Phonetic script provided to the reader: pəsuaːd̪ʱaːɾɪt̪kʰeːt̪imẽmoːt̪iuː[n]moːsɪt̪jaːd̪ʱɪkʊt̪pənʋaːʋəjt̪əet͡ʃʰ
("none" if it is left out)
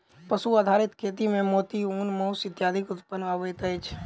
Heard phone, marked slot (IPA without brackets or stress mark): n